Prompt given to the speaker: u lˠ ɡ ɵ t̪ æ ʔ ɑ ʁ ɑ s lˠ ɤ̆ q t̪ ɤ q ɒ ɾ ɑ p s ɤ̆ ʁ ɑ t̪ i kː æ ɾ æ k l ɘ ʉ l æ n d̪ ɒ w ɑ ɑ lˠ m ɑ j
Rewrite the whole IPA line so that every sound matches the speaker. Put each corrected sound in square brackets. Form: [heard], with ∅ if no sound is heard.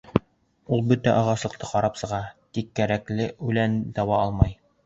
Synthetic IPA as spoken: u lˠ [b] ɵ t̪ æ ʔ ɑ ʁ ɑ s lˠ ɤ̆ q t̪ ɤ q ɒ ɾ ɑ p s ɤ̆ ʁ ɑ t̪ i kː æ ɾ æ k l ɘ ʉ l æ n d̪ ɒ w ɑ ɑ lˠ m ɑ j

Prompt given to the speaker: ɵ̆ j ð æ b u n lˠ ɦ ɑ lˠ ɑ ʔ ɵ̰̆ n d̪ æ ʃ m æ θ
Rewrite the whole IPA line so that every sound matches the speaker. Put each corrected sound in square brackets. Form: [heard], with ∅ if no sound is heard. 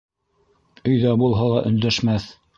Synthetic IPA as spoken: ɵ̆ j ð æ b u [∅] lˠ ɦ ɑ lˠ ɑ ʔ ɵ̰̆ n d̪ æ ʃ m æ θ

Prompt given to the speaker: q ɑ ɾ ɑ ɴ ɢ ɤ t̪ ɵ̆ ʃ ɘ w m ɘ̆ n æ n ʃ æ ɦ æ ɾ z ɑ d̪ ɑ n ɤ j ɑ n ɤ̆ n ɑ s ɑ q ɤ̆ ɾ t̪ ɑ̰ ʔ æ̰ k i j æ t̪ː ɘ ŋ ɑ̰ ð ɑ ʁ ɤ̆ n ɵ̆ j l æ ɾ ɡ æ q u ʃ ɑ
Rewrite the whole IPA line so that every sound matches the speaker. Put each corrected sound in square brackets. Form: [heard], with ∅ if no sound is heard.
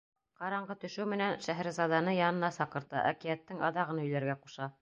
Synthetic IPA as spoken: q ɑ ɾ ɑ ɴ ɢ ɤ t̪ ɵ̆ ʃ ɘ w m ɘ̆ n æ n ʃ æ ɦ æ ɾ z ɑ d̪ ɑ n ɤ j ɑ n ɤ̆ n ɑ s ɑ q ɤ̆ ɾ t̪ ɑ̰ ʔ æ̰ k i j æ t̪ː ɘ ŋ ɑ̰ ð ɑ ʁ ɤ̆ n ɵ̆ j l æ ɾ ɡ æ q u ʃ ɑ

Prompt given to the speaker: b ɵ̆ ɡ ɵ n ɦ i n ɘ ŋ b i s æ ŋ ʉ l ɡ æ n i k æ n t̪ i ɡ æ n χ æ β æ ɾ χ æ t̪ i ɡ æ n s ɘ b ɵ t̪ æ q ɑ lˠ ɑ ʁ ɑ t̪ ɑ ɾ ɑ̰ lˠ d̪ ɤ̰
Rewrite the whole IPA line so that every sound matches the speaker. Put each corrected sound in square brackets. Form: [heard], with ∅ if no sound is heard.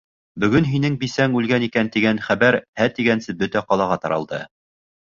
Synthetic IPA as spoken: b ɵ̆ ɡ ɵ n ɦ i n ɘ ŋ b i s æ ŋ ʉ l ɡ æ n i k æ n t̪ i ɡ æ n χ æ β æ ɾ [h] æ t̪ i ɡ æ n s ɘ b ɵ t̪ æ q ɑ lˠ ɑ ʁ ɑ t̪ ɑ ɾ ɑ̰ lˠ d̪ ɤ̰

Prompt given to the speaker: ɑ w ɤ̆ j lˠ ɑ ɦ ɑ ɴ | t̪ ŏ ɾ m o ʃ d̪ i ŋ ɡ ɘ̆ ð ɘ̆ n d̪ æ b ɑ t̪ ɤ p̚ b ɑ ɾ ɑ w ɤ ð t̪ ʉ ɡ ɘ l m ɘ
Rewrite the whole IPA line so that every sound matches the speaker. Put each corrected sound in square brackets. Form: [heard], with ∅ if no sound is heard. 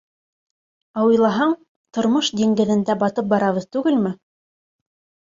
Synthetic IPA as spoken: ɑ w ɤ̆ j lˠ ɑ ɦ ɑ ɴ | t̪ ŏ ɾ m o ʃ d̪ i ŋ ɡ ɘ̆ ð ɘ̆ n d̪ æ b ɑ t̪ ɤ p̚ b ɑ ɾ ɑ [β] ɤ ð t̪ ʉ ɡ ɘ l m ɘ

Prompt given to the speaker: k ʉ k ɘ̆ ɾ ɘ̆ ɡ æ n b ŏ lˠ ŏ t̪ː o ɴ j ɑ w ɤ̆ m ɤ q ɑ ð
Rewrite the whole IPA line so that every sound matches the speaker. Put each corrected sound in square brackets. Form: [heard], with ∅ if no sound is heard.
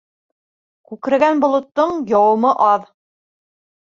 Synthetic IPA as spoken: k ʉ k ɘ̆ ɾ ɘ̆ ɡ æ n b ŏ lˠ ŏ t̪ː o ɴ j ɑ w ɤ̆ m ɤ [ʔ] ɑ ð

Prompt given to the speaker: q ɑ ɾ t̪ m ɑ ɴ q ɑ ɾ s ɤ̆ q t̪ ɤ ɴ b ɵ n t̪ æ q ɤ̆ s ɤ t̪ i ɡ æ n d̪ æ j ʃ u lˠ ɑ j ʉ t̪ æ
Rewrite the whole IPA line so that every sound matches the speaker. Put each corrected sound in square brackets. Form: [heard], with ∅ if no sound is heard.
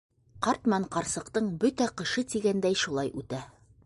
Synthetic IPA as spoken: q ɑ ɾ t̪ m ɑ ɴ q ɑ ɾ s ɤ̆ q t̪ ɤ ɴ b ɵ [∅] t̪ æ q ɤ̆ [ʃ] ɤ t̪ i ɡ æ n d̪ æ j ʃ u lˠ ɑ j ʉ t̪ æ

